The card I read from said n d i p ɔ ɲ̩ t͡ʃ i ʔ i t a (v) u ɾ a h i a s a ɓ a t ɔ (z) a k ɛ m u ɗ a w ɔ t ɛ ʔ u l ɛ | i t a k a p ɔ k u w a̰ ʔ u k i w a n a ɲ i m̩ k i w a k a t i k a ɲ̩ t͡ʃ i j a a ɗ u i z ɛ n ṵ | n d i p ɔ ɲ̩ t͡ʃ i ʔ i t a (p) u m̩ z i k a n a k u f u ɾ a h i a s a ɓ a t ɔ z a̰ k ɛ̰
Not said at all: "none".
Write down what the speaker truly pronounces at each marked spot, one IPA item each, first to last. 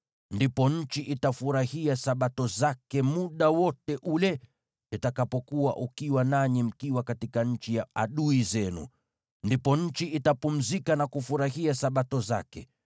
f, z, p

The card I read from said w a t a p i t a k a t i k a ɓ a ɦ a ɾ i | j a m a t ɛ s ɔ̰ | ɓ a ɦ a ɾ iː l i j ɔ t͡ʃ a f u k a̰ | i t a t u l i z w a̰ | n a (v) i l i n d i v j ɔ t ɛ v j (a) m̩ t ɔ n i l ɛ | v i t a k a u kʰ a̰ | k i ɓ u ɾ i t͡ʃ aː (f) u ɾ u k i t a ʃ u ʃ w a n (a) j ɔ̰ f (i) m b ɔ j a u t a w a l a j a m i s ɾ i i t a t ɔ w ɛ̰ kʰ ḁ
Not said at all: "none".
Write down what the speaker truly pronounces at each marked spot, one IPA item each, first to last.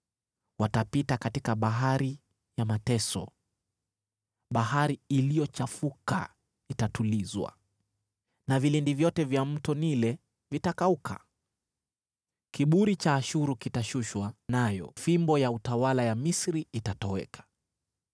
v, a, ʃ, a, i

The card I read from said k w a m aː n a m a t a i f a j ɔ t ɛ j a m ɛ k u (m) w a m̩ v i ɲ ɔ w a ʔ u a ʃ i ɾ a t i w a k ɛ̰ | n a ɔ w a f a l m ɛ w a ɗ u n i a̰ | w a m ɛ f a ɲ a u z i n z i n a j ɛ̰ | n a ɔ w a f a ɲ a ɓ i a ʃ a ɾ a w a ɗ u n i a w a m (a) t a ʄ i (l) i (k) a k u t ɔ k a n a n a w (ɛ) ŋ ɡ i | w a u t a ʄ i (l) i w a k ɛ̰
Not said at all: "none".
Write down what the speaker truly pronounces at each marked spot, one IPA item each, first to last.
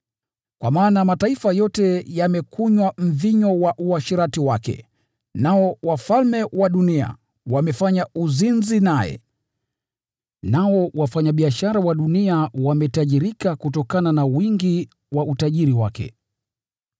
ɲ, ɛ, ɾ, k, i, ɾ

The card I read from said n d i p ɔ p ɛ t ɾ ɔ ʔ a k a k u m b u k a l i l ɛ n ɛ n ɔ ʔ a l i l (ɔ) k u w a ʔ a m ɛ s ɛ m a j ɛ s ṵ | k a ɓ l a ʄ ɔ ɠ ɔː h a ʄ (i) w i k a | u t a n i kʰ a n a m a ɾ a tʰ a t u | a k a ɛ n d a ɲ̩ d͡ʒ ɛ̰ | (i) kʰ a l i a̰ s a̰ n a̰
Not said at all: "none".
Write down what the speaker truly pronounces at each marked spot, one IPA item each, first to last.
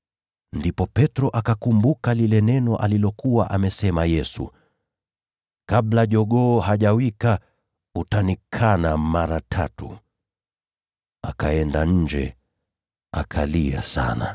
ɔ, a, a

